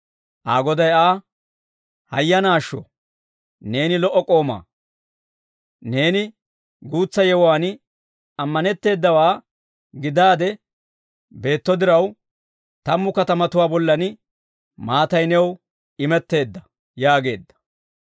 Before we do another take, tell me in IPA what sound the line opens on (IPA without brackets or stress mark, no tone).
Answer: ʔ